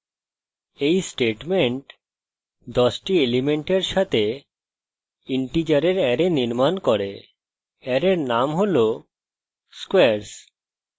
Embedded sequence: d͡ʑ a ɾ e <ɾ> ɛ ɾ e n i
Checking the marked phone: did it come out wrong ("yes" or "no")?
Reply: no